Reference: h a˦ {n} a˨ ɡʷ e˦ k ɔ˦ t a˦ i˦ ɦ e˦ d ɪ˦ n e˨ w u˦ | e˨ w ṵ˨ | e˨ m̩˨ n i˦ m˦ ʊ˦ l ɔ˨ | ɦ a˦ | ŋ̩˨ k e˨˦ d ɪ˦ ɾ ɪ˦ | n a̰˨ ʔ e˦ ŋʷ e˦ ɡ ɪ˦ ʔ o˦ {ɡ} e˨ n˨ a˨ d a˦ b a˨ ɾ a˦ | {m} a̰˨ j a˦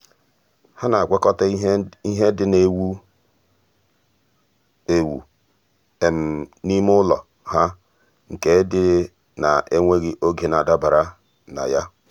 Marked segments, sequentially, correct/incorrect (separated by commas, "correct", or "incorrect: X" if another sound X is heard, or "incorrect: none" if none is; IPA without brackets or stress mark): correct, correct, incorrect: n